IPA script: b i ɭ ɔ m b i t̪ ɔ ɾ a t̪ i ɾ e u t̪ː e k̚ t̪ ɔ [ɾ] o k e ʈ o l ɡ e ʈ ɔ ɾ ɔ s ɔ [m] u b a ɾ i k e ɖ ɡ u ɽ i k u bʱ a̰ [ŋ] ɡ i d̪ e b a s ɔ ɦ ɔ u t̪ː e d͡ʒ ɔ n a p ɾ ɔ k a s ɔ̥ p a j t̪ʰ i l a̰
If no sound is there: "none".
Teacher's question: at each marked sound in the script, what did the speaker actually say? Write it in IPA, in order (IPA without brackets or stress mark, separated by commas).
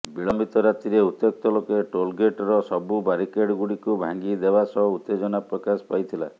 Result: l, b, ŋ